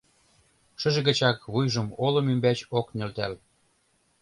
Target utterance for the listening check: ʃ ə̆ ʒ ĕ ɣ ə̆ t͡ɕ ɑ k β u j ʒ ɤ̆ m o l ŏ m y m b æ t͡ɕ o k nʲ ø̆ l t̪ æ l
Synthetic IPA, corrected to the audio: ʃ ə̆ ʒ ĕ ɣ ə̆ t͡ɕ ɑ k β u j ʒ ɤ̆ m o l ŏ m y m b æ t͡ɕ o k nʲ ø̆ l t̪ æ l